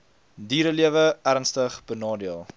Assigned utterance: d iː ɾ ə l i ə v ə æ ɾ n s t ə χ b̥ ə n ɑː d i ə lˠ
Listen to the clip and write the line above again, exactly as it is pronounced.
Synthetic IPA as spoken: d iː ɾ ə l i ə v ə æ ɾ n s t ə χ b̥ ə n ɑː d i ə lˠ